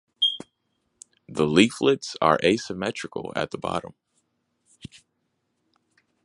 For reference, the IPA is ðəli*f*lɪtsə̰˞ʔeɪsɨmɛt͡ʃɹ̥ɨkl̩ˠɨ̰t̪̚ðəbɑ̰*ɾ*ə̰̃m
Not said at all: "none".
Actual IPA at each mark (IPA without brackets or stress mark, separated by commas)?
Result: f, ɾ